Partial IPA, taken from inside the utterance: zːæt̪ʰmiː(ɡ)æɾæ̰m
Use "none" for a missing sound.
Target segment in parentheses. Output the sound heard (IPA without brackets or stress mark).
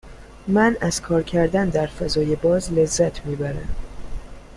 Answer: b